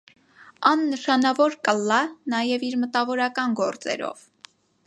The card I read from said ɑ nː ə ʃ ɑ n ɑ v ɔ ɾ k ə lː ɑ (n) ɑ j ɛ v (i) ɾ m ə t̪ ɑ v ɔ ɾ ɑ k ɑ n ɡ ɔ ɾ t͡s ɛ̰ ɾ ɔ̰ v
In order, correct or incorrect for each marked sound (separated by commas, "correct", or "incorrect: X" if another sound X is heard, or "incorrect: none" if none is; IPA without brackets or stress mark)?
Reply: correct, correct